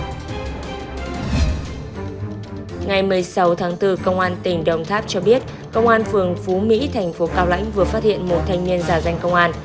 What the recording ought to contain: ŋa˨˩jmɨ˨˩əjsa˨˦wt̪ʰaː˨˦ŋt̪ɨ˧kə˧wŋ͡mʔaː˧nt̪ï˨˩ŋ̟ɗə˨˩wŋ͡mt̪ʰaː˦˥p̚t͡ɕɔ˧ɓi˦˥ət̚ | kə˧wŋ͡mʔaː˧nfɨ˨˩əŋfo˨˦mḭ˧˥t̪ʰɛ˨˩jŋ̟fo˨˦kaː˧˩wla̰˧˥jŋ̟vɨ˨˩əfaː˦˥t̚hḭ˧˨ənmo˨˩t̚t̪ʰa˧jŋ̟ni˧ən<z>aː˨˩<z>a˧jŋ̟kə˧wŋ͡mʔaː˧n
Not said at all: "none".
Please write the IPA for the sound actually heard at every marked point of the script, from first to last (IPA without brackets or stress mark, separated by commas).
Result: z, z